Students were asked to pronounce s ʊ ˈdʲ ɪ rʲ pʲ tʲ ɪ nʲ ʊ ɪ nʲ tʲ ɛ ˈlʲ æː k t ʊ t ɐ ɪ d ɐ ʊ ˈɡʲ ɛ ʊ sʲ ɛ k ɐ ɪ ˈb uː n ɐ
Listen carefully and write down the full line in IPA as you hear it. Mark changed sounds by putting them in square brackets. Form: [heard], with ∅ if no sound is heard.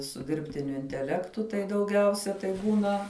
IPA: s ʊ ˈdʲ ɪ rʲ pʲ tʲ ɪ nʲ ʊ ɪ nʲ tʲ ɛ ˈlʲ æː k t ʊ t ɐ ɪ d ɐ ʊ ˈɡʲ ɛ ʊ sʲ ɛ [t] ɐ ɪ ˈb uː n ɐ